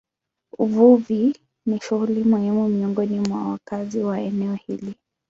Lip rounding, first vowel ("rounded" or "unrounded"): rounded